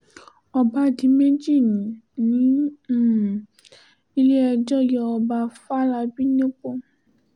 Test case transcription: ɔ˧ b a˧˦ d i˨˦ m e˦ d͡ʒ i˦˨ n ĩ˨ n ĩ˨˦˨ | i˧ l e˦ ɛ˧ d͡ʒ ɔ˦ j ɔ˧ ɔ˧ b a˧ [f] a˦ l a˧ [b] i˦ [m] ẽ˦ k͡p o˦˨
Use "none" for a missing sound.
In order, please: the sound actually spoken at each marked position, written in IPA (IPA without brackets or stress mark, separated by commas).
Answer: f, b, n